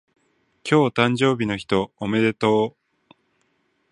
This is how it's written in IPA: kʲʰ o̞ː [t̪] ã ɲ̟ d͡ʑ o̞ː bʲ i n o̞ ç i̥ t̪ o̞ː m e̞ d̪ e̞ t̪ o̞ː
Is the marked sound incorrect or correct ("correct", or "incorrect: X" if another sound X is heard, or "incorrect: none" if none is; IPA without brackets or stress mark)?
correct